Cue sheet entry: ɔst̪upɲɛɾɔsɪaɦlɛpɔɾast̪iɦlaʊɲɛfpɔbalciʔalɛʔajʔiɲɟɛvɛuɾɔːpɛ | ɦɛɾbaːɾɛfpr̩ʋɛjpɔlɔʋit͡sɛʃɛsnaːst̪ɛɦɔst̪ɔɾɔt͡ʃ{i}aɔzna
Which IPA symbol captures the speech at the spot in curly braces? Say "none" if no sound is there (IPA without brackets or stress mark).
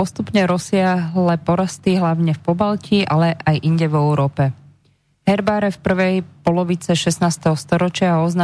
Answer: ɪ